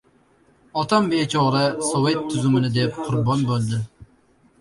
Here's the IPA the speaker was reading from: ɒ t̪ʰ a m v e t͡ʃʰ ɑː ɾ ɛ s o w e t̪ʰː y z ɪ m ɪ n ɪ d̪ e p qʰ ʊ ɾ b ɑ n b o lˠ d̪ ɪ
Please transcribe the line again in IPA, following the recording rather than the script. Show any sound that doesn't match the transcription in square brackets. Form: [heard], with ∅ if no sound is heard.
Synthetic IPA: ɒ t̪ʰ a m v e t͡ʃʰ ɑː ɾ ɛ s o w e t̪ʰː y z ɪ m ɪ n ɪ d̪ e p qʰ ʊ ɾ b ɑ n b o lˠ d̪ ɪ